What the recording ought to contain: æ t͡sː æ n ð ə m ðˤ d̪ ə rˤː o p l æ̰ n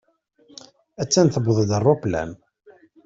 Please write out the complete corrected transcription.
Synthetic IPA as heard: æ t͡sː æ n θ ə b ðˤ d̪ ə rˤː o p l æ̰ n